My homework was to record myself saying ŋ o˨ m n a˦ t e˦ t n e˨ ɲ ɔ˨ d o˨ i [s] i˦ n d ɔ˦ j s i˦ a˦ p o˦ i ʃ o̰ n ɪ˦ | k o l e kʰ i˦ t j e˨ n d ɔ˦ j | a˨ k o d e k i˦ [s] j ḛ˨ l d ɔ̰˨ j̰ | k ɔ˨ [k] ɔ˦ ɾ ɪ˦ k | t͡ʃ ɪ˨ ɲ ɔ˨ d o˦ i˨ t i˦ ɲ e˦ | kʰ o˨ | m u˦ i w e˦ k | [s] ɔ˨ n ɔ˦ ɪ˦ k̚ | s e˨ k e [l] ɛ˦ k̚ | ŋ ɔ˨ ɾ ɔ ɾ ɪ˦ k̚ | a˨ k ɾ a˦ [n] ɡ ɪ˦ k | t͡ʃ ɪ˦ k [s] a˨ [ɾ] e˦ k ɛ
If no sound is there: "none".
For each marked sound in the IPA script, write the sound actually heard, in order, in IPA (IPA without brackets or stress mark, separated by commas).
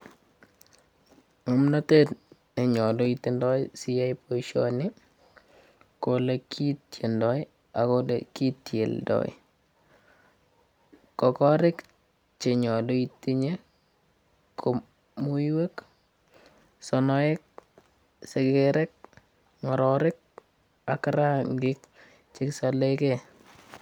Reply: t, t, k, s, ɾ, ŋ, s, l